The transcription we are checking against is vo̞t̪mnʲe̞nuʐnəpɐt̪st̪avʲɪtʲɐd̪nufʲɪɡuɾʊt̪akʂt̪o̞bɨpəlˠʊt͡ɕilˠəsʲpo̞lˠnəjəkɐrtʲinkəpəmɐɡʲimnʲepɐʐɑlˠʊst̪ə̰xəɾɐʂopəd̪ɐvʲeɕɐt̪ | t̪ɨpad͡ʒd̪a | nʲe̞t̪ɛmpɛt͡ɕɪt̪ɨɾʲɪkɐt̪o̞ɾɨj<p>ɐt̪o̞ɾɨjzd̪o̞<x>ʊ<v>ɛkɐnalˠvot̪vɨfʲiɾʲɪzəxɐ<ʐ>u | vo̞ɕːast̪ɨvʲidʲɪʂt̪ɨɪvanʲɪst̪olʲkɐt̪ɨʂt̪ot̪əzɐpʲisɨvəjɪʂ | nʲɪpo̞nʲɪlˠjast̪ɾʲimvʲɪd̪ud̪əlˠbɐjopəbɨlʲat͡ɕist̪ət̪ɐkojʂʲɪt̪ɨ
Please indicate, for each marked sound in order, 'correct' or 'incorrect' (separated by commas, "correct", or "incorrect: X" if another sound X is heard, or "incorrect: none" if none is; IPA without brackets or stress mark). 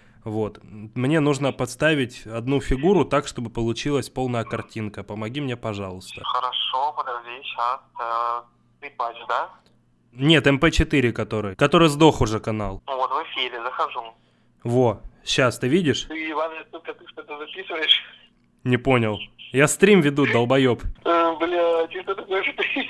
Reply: incorrect: k, correct, incorrect: ʐ, correct